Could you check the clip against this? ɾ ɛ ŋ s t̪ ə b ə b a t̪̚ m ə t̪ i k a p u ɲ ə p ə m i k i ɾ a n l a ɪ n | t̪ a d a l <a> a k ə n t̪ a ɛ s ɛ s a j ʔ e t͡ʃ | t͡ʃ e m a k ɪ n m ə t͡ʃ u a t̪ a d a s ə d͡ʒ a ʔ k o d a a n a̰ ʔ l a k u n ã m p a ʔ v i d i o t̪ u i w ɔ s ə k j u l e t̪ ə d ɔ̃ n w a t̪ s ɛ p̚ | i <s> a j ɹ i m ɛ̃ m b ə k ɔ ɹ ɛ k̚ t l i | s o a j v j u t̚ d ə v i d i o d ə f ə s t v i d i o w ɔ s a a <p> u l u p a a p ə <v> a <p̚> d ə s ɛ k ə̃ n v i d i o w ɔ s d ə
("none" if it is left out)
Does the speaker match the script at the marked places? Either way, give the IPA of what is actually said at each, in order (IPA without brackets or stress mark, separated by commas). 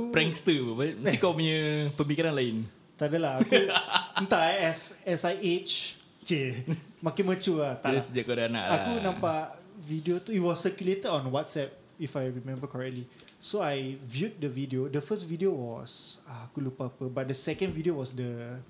a, f, k, b, t̚